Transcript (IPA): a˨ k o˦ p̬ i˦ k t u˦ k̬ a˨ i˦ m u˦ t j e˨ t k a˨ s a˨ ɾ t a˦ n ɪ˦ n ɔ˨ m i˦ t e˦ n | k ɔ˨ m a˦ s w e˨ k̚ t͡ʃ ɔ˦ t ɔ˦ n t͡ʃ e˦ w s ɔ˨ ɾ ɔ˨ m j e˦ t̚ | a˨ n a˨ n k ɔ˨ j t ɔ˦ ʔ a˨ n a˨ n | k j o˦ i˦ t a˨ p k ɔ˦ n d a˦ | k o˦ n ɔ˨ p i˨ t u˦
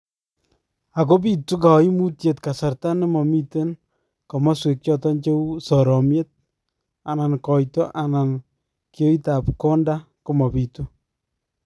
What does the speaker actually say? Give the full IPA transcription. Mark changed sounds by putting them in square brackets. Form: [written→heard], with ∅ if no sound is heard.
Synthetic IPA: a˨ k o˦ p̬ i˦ [k→∅] t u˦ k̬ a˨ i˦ m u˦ t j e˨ t k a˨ s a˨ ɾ t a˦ n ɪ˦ [n→m] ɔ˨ m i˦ t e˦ n | k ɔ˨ m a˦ s w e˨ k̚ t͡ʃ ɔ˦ t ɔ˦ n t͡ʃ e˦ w s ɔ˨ ɾ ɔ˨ m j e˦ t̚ | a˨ n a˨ n k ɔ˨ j t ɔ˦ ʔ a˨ n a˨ n | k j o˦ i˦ t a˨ p k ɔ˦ n d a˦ | k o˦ [n→m] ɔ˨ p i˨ t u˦

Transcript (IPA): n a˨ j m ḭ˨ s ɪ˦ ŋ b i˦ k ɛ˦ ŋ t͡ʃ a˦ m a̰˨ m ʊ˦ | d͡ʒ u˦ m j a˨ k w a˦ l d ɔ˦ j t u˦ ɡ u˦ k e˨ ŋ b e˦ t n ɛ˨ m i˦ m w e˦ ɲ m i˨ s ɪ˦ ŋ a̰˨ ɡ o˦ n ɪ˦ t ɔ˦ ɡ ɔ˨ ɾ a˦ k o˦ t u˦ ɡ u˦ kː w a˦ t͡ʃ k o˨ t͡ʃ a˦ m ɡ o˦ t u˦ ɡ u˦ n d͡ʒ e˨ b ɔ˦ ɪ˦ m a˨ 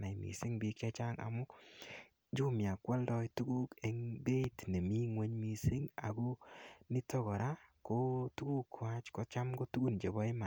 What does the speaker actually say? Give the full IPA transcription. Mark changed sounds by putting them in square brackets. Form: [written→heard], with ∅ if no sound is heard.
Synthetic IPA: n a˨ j m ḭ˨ s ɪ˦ ŋ b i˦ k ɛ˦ [ŋ→∅] t͡ʃ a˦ [m→ŋ] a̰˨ m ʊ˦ | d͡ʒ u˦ m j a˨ k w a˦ l d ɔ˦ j t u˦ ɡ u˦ k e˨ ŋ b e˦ t n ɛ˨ m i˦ [m→ŋ] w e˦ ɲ m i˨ s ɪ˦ ŋ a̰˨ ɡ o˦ n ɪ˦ t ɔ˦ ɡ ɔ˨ ɾ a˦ k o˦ t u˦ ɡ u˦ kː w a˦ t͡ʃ k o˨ t͡ʃ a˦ m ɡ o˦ t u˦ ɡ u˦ n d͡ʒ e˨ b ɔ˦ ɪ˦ m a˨

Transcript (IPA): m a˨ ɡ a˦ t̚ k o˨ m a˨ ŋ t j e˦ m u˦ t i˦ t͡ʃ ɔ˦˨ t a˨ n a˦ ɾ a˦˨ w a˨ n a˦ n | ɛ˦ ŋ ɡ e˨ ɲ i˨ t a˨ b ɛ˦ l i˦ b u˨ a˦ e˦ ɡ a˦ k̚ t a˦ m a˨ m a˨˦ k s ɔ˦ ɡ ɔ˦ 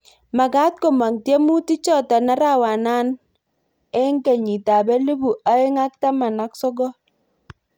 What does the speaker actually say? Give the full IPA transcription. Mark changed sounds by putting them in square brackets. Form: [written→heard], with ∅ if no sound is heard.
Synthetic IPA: m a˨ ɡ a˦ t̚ k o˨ m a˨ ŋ t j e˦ m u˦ t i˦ t͡ʃ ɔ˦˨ t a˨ n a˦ ɾ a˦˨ w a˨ n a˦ n | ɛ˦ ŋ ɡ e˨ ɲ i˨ t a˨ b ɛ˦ l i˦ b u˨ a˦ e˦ [ɡ→ŋ] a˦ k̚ t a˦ m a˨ [m→n] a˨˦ k s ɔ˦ ɡ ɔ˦

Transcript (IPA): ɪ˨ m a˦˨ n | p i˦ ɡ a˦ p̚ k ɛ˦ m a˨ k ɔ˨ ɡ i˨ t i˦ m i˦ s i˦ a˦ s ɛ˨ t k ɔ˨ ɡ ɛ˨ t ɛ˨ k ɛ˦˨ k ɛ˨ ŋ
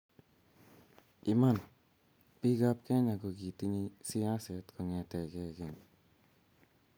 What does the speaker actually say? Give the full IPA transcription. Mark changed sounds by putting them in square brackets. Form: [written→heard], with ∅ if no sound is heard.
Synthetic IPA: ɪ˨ m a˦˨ n | p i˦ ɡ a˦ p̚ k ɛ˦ [m→ɲ] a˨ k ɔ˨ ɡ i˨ t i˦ [m→ɲ] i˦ s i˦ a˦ s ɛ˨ t k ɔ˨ [ɡ→ŋ] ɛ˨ t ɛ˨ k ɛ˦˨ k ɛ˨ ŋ

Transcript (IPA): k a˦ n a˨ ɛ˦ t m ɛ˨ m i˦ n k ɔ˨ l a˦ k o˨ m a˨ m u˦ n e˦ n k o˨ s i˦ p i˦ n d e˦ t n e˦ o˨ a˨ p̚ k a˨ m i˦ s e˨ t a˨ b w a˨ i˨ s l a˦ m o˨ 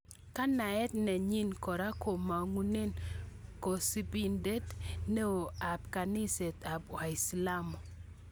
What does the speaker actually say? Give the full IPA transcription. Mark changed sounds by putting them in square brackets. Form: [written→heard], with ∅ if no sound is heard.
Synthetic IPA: k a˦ n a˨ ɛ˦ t [m→n] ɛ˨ [m→ɲ] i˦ n k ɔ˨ [l→ɾ] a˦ k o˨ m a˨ [m→ŋ] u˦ n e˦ n k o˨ s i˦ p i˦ n d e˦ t n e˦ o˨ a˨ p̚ k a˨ [m→n] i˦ s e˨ t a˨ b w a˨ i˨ s l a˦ m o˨

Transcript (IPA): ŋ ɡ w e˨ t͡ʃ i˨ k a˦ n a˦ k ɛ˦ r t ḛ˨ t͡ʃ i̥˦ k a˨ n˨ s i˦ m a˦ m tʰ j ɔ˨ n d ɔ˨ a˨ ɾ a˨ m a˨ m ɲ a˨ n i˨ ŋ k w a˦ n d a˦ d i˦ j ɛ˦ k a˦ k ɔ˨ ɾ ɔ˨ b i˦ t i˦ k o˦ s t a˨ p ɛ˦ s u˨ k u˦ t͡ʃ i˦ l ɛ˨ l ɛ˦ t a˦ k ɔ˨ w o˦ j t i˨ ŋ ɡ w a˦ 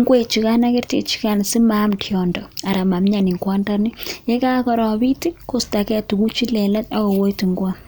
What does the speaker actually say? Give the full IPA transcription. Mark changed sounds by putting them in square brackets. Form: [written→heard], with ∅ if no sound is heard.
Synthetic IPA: ŋ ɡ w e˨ t͡ʃ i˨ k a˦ n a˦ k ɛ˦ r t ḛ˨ t͡ʃ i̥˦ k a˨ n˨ s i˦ m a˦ m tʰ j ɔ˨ n d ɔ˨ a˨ ɾ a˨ m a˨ m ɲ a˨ n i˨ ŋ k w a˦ n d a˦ [d→n] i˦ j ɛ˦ k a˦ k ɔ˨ ɾ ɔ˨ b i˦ t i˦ k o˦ s t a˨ [p→k] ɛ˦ [s→t] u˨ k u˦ t͡ʃ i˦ l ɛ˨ l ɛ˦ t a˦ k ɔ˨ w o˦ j t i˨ ŋ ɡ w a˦

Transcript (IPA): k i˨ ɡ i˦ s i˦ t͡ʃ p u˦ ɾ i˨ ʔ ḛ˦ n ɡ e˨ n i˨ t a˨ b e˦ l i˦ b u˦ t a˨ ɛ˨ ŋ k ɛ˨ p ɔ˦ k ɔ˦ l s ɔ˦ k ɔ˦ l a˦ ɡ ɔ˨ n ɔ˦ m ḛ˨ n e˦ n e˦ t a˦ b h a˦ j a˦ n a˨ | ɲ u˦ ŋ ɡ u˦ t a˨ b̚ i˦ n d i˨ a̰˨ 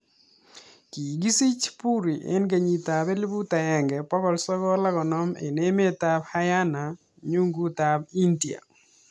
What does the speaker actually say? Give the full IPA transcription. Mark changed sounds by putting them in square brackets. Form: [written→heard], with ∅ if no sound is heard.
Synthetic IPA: k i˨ ɡ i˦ s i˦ t͡ʃ p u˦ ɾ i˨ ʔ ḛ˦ n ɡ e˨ [n→ɲ] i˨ t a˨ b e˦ l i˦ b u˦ t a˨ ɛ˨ ŋ [k→ɡ] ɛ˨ p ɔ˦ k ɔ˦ l s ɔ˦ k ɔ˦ l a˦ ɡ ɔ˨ n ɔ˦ m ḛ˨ n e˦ [n→m] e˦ t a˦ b h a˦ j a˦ n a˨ | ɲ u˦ ŋ ɡ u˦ t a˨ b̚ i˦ n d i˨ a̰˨

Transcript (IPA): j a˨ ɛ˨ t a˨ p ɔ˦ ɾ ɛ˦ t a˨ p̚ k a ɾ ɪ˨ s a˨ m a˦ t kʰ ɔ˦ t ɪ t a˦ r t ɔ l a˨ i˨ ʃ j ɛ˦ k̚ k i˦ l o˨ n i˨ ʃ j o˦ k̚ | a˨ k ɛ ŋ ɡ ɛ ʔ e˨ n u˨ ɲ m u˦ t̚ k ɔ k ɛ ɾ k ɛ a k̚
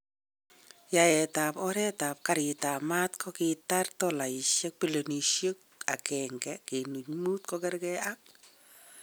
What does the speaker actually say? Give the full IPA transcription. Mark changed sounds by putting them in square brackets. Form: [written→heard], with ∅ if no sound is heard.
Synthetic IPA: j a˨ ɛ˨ t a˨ p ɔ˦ ɾ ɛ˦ t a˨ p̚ k a ɾ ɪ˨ [s→t] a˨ m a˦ t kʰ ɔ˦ [t→k] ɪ t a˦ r t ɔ l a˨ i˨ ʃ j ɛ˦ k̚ [k→p] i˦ l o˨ n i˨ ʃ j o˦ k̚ | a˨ k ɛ ŋ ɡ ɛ [ʔ→k] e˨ n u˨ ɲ m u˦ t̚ k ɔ k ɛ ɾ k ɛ a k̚

